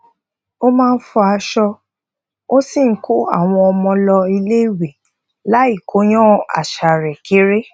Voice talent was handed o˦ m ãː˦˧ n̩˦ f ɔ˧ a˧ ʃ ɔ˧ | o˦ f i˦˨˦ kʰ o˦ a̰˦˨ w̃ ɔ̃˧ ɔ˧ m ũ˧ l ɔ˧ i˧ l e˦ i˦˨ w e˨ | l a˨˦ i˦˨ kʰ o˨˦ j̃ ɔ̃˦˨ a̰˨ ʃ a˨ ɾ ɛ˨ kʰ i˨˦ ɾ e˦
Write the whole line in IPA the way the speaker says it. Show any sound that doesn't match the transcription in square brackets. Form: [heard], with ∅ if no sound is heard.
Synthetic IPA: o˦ m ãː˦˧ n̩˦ f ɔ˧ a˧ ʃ ɔ˧ | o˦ [s] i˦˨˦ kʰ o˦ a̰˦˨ w̃ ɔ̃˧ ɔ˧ m [ɔ̃˧] l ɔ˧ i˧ l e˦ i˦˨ w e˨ | l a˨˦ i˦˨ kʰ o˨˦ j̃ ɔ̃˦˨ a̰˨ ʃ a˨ ɾ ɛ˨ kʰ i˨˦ ɾ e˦